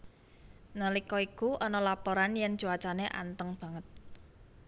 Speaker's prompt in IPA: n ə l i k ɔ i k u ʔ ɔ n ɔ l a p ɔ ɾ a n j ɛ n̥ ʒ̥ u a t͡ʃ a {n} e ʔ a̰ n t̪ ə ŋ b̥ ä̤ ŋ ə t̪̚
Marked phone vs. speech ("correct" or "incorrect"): correct